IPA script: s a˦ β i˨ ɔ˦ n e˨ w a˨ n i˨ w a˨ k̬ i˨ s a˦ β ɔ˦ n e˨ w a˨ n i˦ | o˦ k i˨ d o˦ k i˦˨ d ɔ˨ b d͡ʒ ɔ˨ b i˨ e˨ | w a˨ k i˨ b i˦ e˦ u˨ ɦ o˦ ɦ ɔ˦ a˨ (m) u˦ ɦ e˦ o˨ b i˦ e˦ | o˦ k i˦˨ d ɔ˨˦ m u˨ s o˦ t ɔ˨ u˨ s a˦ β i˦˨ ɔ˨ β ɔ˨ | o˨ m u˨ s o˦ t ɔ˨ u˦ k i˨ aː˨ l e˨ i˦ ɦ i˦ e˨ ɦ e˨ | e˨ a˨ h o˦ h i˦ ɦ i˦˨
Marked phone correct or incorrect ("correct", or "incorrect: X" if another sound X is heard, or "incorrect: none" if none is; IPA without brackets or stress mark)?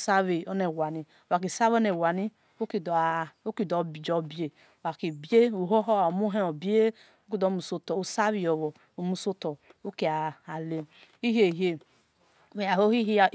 correct